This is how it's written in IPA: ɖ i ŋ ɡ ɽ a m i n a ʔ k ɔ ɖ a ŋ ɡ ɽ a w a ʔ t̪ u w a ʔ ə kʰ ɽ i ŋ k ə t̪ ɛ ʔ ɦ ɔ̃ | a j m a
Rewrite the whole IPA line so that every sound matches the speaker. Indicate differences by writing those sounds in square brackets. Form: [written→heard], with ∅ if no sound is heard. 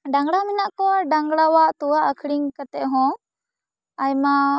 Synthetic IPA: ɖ [i→a] ŋ ɡ ɽ a m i n a ʔ k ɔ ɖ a ŋ ɡ ɽ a w a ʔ t̪ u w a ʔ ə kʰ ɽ i ŋ k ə t̪ ɛ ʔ ɦ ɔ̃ | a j m a